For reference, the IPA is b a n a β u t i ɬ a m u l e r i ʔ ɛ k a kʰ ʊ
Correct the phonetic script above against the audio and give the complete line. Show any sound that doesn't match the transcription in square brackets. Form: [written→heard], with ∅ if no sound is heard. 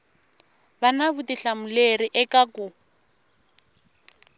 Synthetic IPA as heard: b a n a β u t i ɬ a m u l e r i ʔ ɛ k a [kʰ→k] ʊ